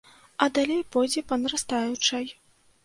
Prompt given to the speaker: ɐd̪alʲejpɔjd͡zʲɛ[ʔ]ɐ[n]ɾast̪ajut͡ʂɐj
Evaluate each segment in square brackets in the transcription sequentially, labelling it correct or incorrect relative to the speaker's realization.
incorrect, correct

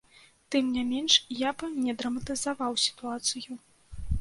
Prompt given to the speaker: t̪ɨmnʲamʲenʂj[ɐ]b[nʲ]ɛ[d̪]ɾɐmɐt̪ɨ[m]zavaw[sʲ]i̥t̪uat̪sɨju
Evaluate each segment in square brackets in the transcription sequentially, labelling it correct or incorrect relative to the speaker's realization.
incorrect, correct, correct, incorrect, correct

